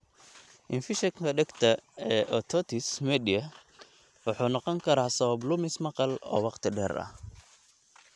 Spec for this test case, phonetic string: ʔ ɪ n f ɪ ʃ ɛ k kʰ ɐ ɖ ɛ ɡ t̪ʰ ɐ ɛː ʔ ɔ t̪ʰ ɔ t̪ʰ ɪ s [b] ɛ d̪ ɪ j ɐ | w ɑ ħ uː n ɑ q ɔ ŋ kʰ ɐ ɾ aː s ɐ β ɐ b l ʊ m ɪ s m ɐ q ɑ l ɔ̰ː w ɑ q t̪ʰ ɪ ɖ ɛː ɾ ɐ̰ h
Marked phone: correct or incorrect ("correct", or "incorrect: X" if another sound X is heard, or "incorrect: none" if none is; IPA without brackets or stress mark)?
incorrect: m